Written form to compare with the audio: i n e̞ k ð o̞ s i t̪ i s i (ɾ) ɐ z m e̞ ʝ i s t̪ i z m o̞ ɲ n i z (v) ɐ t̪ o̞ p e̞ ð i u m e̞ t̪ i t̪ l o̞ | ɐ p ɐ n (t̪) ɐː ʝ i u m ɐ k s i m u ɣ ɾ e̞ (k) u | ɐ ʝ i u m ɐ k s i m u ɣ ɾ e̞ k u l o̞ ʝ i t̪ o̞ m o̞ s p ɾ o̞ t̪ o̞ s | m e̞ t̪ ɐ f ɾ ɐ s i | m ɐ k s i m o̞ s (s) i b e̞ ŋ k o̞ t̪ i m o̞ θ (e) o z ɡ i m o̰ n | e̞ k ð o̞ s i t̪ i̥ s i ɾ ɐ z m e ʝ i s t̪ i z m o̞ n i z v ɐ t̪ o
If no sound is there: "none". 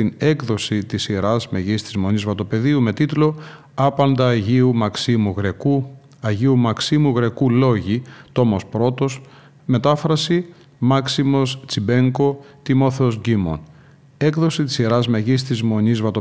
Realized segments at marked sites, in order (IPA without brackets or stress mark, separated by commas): ɾ, v, d̪, k, t͡s, e